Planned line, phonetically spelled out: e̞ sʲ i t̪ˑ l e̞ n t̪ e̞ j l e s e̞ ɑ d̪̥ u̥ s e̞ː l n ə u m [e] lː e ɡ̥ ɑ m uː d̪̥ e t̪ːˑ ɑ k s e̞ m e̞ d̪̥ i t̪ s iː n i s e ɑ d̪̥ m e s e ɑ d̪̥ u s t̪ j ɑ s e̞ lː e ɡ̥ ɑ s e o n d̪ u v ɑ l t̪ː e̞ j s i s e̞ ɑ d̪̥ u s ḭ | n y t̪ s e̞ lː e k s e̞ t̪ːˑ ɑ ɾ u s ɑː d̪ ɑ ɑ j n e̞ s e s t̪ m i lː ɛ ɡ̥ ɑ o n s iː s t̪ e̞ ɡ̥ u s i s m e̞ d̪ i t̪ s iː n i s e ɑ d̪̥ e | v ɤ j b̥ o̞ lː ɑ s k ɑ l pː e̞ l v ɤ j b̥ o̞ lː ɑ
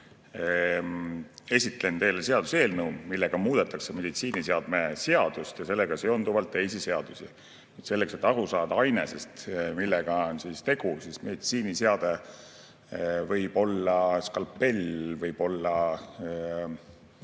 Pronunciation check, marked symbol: incorrect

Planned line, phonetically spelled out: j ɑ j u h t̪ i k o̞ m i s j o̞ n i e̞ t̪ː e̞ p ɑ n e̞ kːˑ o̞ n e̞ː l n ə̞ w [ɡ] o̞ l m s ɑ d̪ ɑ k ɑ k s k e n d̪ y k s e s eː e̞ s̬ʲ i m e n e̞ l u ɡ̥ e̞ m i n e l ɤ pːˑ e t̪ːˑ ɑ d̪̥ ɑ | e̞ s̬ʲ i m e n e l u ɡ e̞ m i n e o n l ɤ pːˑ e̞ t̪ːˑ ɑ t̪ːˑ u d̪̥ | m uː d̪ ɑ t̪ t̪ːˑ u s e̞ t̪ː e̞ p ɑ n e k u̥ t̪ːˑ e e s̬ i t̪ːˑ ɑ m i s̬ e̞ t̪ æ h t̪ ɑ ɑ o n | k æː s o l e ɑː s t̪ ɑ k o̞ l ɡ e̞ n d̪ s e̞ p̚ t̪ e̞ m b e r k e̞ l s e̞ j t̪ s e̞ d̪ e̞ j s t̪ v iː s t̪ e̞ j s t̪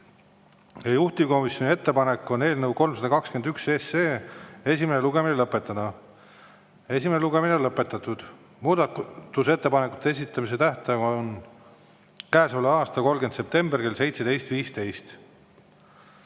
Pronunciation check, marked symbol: incorrect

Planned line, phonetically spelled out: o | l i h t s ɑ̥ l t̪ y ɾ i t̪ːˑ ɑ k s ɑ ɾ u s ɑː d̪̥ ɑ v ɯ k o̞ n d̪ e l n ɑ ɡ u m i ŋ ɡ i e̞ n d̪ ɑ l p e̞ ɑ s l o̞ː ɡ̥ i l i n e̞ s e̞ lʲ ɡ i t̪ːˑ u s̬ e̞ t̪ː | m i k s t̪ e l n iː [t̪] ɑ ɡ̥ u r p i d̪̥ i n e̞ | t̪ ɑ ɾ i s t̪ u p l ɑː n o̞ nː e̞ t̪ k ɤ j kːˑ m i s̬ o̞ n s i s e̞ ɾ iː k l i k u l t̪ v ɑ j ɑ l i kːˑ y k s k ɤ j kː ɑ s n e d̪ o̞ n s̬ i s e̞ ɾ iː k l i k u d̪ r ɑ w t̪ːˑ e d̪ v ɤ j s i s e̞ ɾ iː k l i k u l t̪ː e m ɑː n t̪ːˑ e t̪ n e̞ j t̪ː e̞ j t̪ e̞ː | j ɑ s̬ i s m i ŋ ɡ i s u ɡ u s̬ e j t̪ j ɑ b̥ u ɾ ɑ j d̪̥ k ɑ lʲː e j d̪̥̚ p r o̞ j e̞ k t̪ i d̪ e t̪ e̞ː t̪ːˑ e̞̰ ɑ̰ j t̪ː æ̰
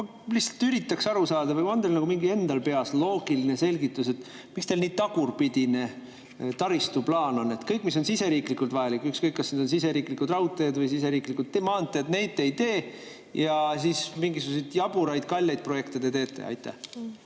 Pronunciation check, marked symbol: correct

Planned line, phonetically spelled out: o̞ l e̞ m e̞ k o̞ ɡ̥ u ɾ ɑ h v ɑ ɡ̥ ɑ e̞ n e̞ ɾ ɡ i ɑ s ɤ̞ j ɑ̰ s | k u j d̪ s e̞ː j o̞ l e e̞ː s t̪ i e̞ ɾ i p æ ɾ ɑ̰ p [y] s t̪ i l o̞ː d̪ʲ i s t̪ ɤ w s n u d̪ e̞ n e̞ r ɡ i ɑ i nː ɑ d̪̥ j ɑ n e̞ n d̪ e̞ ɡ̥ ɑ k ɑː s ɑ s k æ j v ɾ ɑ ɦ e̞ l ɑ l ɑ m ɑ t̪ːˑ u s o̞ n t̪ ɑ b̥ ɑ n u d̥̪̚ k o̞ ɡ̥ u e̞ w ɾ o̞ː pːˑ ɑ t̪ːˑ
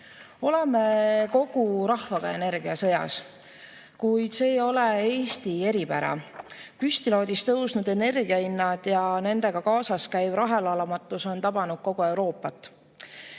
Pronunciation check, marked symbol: correct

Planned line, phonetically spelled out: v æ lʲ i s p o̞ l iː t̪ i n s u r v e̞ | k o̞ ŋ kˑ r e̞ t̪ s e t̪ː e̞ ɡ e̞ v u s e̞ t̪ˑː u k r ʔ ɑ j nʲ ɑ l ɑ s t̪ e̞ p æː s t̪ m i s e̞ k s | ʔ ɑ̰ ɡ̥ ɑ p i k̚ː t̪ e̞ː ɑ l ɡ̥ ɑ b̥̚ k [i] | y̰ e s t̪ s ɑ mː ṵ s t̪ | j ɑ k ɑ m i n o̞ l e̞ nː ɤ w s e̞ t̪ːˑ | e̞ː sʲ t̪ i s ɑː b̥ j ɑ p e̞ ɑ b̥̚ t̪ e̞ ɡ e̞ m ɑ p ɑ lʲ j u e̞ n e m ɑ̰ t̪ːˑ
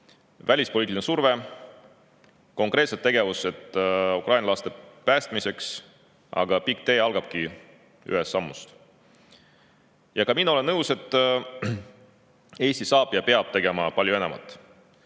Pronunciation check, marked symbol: correct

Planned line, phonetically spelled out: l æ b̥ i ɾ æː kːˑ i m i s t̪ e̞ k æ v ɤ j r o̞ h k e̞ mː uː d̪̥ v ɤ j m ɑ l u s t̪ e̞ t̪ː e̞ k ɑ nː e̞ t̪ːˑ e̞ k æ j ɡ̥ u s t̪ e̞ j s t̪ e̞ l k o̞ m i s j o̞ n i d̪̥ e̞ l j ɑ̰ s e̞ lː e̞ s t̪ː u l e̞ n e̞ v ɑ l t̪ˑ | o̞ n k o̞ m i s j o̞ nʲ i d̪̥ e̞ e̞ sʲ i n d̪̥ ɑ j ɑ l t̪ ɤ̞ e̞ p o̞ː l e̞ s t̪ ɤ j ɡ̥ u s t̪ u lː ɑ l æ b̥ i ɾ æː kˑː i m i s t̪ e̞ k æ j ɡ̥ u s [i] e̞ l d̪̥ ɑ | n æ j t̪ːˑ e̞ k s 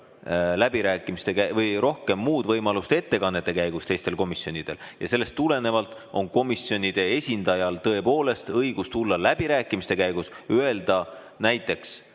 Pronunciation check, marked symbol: incorrect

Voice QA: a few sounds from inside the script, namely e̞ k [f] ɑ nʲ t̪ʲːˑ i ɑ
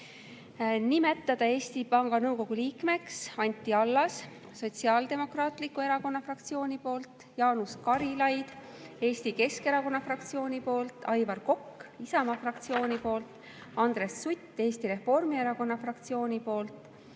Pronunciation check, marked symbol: incorrect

